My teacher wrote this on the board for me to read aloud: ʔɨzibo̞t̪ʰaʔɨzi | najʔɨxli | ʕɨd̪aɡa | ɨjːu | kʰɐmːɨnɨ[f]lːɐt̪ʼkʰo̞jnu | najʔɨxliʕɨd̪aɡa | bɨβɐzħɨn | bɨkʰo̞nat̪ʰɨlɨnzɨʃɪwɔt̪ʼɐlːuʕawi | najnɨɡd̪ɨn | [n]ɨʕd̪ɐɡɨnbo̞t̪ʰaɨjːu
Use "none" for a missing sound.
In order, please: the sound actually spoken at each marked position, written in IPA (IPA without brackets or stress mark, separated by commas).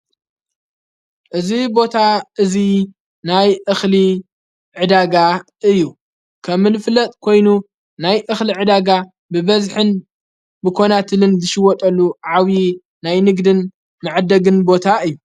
f, m